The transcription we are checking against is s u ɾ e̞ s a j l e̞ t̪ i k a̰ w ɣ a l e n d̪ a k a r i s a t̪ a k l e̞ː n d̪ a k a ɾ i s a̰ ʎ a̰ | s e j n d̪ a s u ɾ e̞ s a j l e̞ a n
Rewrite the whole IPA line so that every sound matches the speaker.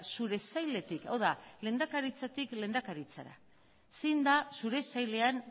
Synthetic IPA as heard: s u ɾ e̞ s a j l e̞ t̪ i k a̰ w ð a l e n d̪ a k a ɾ i t͡s a t̪ i k l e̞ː n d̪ a k a ɾ i t͡s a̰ ɾ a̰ | s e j n d̪ a s u ɾ e̞ s a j l e̞ a n